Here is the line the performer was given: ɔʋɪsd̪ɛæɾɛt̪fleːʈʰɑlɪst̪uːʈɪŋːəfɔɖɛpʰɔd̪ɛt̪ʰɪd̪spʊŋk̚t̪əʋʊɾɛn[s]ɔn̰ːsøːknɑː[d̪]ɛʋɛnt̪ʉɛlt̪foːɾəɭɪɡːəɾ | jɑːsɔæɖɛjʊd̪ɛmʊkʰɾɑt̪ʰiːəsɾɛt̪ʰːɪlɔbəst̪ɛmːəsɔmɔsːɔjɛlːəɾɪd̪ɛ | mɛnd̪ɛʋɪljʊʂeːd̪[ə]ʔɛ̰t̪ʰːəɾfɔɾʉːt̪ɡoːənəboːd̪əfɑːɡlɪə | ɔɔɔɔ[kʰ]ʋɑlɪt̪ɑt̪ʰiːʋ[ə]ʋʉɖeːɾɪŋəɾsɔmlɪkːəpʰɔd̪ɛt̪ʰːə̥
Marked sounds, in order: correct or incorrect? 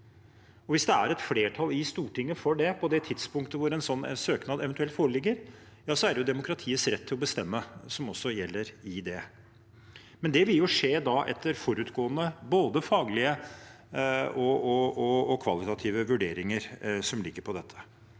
correct, correct, incorrect: ɑ, correct, correct

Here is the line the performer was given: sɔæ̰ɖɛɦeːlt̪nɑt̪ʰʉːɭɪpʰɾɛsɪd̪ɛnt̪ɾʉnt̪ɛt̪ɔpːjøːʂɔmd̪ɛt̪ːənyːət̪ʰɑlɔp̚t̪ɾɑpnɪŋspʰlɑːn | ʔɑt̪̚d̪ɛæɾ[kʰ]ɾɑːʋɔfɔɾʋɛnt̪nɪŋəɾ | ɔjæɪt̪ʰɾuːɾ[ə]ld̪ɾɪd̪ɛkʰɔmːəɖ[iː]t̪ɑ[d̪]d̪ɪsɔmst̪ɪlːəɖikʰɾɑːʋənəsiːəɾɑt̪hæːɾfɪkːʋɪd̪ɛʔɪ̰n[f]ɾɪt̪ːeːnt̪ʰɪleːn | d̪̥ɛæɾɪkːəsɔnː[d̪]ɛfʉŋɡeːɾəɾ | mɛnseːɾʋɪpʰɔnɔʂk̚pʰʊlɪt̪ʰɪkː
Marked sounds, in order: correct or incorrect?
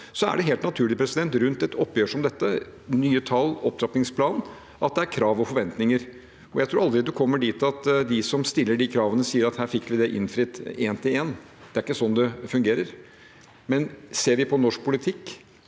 correct, incorrect: ɑ, correct, incorrect: t̪, correct, correct

